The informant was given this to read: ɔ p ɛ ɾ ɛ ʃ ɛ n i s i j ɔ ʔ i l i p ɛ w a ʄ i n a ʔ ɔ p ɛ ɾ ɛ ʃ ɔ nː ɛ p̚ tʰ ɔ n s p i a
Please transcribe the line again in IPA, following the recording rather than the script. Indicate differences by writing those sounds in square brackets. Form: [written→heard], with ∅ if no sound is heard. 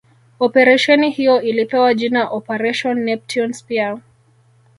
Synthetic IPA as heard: ɔ p ɛ ɾ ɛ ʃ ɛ n i [s→h] i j ɔ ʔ i l i p ɛ w a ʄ i n a ʔ ɔ p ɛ ɾ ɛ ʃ ɔ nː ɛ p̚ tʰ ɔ n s p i a